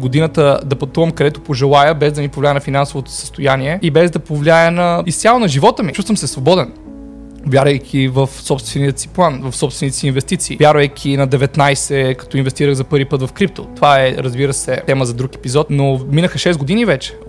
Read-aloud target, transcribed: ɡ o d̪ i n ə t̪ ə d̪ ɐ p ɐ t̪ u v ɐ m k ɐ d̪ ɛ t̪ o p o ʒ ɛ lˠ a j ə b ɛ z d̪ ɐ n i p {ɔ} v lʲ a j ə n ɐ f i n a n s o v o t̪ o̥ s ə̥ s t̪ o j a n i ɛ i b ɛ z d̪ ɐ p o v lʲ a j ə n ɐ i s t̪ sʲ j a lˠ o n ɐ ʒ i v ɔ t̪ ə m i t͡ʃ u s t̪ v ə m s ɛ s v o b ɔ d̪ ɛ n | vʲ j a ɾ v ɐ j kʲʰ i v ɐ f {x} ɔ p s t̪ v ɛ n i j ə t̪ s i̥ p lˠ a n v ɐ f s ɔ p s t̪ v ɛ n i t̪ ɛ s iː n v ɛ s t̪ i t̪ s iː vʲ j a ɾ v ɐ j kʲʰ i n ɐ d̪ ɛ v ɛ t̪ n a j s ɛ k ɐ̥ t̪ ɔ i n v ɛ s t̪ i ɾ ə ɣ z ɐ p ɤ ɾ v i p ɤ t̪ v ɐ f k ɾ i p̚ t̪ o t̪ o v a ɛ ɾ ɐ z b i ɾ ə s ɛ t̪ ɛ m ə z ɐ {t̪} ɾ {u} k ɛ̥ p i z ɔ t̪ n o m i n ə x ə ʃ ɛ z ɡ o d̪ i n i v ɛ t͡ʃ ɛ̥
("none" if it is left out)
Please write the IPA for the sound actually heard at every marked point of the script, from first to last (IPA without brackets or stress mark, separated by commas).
o, s, d̪, u